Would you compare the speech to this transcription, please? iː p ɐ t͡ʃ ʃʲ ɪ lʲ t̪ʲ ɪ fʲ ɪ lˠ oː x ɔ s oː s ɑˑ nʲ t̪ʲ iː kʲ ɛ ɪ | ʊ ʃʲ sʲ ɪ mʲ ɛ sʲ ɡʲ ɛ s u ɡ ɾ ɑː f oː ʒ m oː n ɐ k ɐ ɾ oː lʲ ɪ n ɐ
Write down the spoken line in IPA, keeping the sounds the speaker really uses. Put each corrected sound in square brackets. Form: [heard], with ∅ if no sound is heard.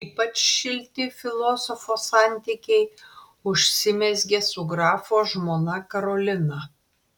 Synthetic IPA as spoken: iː p ɐ t͡ʃ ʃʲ ɪ lʲ t̪ʲ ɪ fʲ ɪ lˠ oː [s] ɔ [f] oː s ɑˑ nʲ t̪ʲ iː kʲ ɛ ɪ | ʊ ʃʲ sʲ ɪ mʲ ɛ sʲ ɡʲ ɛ s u ɡ ɾ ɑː f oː ʒ m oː n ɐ k ɐ ɾ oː lʲ ɪ n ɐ